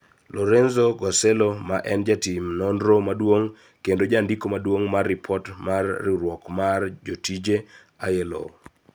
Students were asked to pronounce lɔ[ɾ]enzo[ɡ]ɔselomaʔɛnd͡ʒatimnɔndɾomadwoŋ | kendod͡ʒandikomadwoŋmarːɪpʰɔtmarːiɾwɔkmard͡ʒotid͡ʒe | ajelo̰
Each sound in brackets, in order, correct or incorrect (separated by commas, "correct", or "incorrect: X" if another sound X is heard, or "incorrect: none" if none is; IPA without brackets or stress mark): correct, correct